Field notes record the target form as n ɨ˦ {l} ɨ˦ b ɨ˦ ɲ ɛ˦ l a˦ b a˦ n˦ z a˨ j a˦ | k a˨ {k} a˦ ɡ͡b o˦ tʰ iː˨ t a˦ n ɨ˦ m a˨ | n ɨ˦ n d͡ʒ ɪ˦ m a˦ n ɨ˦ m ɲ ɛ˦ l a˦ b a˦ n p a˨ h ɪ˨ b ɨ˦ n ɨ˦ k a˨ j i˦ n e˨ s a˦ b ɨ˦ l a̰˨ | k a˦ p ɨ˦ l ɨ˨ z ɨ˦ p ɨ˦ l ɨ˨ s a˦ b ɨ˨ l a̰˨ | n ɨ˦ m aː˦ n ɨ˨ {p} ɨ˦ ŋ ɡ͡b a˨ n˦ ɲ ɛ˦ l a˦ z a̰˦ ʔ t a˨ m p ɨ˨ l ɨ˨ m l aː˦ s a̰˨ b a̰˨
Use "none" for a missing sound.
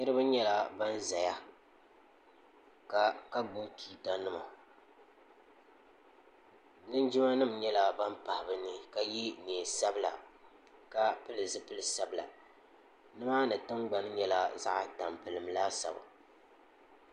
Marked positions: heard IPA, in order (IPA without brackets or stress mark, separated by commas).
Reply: ɾ, k, t